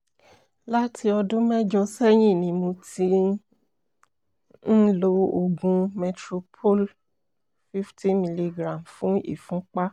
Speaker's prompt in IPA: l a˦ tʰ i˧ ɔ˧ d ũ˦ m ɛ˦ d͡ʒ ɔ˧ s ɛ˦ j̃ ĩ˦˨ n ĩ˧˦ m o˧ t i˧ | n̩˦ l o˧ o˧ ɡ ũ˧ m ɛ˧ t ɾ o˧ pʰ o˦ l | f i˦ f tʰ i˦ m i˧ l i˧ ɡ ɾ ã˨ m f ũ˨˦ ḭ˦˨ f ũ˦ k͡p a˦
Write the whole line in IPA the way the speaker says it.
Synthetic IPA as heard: l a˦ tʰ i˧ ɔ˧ d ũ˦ m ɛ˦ d͡ʒ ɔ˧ s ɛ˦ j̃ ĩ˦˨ n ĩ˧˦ m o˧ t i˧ | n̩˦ l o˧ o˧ ɡ ũ˧ m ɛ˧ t ɾ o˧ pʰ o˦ l | f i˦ f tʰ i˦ m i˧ l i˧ ɡ ɾ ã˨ m f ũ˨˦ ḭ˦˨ f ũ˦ k͡p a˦